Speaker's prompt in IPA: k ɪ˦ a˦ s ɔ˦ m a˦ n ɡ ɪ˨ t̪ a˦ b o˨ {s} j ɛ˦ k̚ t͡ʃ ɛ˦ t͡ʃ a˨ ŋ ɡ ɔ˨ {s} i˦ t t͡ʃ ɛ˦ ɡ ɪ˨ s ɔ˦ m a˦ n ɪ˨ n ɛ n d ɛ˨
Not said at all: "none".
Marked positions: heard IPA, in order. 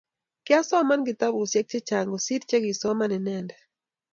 s, s

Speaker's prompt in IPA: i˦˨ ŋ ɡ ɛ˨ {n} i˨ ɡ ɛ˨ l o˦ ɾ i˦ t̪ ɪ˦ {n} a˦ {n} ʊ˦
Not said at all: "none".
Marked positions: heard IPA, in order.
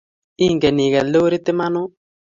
n, m, n

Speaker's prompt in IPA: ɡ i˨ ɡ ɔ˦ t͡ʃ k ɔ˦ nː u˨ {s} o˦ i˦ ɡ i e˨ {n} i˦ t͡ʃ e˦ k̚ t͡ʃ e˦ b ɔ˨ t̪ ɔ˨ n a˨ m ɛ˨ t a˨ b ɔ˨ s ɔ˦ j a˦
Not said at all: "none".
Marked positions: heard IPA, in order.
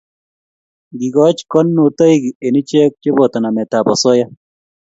t, n

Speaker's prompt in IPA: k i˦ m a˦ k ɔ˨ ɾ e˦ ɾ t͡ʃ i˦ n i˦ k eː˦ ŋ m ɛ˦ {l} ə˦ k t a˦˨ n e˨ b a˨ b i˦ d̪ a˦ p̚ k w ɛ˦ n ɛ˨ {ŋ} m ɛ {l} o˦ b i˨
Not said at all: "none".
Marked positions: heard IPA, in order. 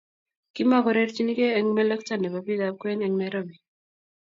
l, ŋ, ɾ

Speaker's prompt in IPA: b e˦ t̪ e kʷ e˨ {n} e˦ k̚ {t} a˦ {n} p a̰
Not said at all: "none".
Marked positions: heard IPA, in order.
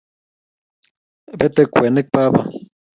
n, p, none

